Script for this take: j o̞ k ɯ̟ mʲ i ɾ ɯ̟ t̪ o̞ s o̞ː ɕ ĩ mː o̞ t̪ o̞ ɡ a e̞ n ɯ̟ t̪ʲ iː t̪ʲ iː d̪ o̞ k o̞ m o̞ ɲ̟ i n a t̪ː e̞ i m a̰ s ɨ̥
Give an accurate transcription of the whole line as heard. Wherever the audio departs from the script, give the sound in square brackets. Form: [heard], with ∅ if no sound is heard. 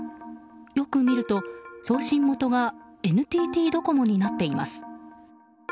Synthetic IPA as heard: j o̞ k ɯ̟ mʲ i ɾ ɯ̟ t̪ o̞ s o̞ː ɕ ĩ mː o̞ t̪ o̞ ɡ a e̞ n ɯ̟ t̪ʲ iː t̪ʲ iː d̪ o̞ k o̞ m o̞ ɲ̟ i n a t̪ː e̞ i m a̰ s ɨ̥

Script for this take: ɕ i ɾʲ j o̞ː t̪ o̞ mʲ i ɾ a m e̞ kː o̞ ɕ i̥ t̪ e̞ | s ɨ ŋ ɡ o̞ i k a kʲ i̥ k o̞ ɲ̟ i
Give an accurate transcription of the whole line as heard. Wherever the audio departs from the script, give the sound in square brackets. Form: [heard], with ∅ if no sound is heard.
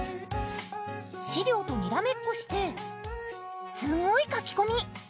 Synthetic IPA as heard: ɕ i ɾʲ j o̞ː t̪ o̞ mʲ i ɾ a m e̞ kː o̞ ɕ i̥ t̪ e̞ | s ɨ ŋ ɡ o̞ i k a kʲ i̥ k o̞ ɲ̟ i

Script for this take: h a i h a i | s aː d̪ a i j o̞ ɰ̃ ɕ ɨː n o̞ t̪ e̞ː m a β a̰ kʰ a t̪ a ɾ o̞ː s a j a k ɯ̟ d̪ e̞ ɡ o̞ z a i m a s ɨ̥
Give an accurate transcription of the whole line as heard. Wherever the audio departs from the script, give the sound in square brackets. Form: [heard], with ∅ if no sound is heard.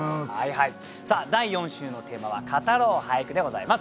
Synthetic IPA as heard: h a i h a i | s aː d̪ a i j [õ̞] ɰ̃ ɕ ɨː n o̞ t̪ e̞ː m a β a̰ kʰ a t̪ a ɾ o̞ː [h] a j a k ɯ̟ d̪ e̞ ɡ o̞ z a i m a s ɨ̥

